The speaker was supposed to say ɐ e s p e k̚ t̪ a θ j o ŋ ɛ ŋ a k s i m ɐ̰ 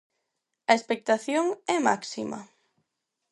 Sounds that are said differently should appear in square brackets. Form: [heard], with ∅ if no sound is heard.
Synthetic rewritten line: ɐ e s p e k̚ t̪ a θ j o ŋ ɛ [m] a k s i m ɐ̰